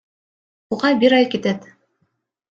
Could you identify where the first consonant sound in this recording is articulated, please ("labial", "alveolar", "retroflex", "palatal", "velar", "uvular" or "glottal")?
uvular